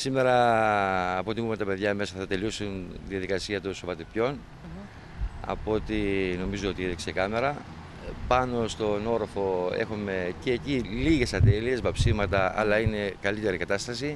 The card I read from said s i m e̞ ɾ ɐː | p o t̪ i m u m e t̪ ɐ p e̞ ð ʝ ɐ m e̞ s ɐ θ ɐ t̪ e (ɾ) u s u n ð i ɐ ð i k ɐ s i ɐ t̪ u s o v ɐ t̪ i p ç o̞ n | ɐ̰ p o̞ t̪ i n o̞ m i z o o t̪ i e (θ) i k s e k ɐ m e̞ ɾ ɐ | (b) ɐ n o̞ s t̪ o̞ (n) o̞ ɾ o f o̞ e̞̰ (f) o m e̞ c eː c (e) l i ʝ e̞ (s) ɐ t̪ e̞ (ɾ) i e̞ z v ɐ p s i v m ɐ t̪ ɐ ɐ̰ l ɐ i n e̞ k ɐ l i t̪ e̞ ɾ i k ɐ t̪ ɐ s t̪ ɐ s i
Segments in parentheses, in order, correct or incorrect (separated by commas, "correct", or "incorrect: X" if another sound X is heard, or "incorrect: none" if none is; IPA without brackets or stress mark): incorrect: l, incorrect: ð, incorrect: p, correct, incorrect: x, incorrect: i, correct, incorrect: l